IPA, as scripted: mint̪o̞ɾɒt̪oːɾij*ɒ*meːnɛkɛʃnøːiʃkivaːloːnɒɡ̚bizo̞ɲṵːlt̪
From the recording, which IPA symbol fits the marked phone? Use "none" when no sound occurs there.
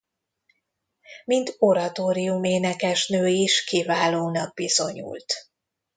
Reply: u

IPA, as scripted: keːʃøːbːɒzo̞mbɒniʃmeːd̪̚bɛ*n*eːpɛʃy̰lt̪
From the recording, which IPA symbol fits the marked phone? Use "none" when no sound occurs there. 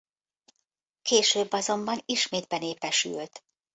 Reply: n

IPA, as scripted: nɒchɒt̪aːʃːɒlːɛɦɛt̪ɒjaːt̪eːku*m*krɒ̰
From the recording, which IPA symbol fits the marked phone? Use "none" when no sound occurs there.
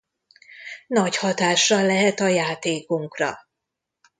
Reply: ŋ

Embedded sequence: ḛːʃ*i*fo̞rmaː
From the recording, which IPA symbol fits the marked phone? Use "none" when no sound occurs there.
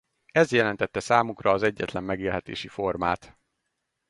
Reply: i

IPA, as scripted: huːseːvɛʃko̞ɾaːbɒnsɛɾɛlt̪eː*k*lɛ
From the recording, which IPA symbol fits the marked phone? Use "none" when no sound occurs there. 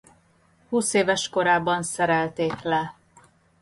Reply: k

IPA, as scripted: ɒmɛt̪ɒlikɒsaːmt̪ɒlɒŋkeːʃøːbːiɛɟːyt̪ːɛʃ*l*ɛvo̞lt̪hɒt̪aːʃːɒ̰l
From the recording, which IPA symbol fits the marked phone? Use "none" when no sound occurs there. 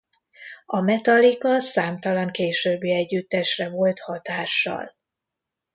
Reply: r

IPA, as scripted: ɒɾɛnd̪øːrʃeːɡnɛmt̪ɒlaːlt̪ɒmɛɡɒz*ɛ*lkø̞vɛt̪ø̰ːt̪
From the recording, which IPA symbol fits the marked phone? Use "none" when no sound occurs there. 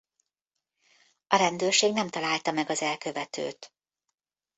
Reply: ɛ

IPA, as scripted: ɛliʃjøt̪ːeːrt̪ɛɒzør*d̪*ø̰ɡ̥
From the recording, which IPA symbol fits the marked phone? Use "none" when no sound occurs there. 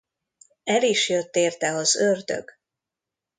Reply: d̪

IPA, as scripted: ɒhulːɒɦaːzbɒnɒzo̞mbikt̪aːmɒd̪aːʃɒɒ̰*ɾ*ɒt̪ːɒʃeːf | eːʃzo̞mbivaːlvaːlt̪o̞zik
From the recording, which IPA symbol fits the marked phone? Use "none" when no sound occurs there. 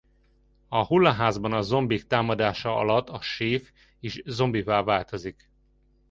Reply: l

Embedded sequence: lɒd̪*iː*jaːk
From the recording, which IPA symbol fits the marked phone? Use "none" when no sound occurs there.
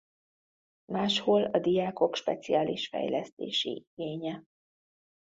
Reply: i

